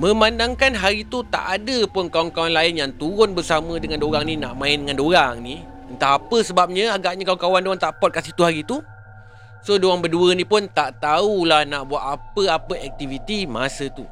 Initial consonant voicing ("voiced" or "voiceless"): voiced